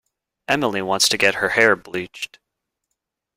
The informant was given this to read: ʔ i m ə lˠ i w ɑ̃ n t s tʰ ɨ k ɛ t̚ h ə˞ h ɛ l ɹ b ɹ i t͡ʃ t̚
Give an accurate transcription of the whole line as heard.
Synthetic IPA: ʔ ɛ m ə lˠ i w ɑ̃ n t s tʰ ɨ ɡ ɛ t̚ h ə˞ h ɛ ɹ b l i t͡ʃ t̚